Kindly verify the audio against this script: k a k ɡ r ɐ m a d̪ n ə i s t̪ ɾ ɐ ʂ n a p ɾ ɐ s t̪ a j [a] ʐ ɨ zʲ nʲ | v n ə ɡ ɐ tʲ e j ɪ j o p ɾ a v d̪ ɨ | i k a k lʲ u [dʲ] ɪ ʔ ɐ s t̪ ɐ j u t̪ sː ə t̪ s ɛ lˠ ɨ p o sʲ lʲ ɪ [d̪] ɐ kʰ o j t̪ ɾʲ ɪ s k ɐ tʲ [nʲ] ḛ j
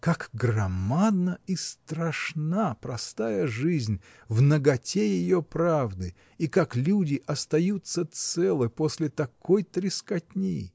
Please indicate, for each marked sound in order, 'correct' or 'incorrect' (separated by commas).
incorrect, correct, incorrect, correct